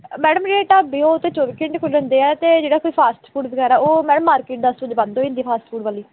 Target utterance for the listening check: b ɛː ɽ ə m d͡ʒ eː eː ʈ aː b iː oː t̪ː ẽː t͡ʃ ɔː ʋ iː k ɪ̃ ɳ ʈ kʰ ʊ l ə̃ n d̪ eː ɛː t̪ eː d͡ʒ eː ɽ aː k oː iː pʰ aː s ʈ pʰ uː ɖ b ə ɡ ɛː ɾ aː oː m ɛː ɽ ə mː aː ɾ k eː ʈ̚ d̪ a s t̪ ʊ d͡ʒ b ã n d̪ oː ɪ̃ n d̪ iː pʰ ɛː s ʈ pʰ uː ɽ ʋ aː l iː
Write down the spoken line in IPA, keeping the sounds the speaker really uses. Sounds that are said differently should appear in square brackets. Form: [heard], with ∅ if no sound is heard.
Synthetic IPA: [m] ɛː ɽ ə m d͡ʒ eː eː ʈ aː b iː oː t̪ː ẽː t͡ʃ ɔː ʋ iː k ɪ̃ ɳ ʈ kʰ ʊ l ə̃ n d̪ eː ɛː t̪ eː d͡ʒ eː ɽ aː k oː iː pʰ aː s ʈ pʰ uː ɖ b ə ɡ ɛː ɾ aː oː m ɛː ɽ ə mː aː ɾ k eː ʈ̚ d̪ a s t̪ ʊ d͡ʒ b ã n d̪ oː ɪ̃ n d̪ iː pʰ [aː] s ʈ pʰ uː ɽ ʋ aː l iː